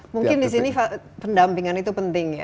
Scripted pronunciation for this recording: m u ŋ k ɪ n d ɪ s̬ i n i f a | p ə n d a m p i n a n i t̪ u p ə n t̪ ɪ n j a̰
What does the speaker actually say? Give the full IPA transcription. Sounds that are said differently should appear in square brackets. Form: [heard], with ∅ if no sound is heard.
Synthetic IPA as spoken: m u ŋ k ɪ n d [i] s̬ i n i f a | p ə n d a m p i [ŋ] a n i t̪ u p ə n t̪ ɪ [ŋ] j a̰